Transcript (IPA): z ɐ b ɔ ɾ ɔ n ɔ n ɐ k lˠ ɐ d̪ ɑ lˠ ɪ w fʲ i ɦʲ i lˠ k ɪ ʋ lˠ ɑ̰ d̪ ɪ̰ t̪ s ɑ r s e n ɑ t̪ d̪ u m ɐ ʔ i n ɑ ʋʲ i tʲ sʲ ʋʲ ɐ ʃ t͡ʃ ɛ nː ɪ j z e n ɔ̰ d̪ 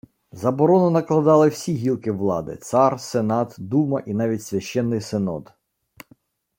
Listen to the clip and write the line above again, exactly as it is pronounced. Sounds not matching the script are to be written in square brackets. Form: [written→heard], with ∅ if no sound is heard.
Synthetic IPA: z ɐ b ɔ ɾ ɔ n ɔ n ɐ k lˠ ɐ d̪ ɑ lˠ ɪ w [fʲ→sʲ] i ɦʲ i lˠ k ɪ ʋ lˠ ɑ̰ d̪ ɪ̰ t̪ s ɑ r s e n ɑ t̪ d̪ u m ɐ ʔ i n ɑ ʋʲ i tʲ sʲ ʋʲ ɐ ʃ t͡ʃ ɛ nː ɪ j [z→s] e n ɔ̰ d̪